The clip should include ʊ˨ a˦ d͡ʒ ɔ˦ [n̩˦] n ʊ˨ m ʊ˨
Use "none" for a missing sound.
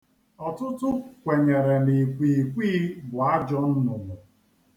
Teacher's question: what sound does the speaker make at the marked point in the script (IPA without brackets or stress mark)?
n̩˦